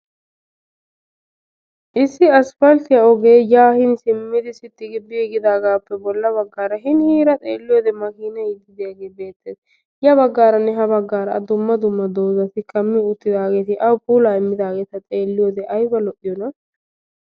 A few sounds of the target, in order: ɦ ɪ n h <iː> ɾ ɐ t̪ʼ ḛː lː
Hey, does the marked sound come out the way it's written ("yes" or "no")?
yes